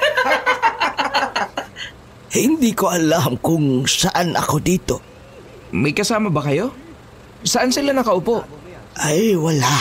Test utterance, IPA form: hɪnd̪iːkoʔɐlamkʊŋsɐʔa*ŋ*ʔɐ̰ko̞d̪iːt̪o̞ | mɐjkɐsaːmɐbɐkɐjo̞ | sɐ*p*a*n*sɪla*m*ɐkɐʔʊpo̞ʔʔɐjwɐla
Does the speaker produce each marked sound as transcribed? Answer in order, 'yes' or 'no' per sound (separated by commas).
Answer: no, no, yes, no